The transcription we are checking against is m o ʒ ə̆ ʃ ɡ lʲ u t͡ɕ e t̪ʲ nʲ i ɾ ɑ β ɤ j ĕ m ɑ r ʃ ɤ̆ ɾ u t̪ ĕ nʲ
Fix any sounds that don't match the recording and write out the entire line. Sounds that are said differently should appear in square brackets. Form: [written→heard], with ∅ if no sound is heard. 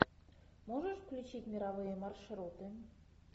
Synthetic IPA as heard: m o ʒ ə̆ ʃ [ɡ→k] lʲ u t͡ɕ [e→i] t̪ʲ [nʲ→mʲ] i ɾ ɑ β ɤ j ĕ m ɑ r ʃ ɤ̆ ɾ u t̪ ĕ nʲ

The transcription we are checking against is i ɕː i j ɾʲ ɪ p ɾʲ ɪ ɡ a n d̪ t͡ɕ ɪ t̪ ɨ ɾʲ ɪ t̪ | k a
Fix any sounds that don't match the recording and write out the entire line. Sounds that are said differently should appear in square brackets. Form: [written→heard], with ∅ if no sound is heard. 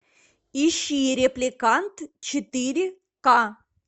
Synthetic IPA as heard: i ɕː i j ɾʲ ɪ p [ɾʲ→lʲ] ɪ [ɡ→k] a n [d̪→t̪] t͡ɕ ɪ t̪ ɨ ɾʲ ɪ [t̪→∅] | k a

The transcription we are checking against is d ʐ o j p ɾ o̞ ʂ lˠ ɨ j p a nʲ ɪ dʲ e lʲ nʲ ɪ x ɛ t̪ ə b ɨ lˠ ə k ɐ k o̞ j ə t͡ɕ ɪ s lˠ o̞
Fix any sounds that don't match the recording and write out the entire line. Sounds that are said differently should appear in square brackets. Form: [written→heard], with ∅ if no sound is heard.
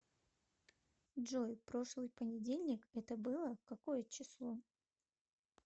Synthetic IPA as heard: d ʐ o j p ɾ o̞ ʂ lˠ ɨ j p [a→ə] nʲ ɪ dʲ e lʲ nʲ ɪ [x→k] ɛ t̪ ə b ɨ lˠ ə k ɐ k o̞ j ə t͡ɕ ɪ s lˠ o̞

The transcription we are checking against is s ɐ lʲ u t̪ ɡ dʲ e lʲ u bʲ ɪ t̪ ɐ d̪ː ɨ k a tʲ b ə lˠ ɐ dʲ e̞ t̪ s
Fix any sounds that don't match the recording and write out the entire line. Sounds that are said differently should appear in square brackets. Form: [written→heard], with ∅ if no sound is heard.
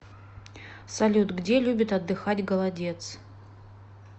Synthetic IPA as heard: s ɐ lʲ u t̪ ɡ dʲ e lʲ u bʲ ɪ t̪ ɐ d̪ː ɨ [k→x] a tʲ [b→ɡ] ə lˠ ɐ dʲ e̞ t̪ s

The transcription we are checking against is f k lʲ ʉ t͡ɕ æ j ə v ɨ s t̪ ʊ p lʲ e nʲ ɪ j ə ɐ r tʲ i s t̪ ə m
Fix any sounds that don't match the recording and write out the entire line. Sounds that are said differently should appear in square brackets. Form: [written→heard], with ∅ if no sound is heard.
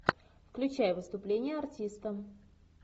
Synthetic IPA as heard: f k lʲ ʉ t͡ɕ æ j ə v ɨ s t̪ ʊ p lʲ e nʲ ɪ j ə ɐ r tʲ i s t̪ ə m

